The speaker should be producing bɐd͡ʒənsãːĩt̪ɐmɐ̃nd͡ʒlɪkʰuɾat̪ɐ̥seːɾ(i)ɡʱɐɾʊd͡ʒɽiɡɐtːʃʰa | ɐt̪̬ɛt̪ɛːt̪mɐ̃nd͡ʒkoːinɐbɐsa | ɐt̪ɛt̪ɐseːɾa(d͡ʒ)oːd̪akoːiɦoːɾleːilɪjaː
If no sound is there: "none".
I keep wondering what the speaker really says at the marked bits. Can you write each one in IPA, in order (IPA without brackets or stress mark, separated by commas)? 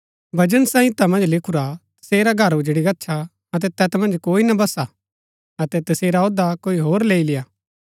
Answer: a, none